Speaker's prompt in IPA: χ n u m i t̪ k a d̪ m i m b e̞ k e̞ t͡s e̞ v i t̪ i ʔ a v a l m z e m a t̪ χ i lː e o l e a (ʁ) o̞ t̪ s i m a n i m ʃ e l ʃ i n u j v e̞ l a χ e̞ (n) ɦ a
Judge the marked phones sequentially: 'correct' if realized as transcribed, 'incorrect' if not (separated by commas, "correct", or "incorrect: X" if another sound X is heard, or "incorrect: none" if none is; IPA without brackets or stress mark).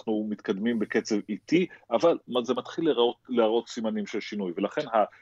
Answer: correct, correct